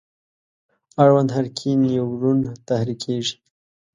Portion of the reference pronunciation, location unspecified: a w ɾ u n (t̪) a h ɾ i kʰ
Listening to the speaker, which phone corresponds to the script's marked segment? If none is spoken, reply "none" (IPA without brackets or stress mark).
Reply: t̪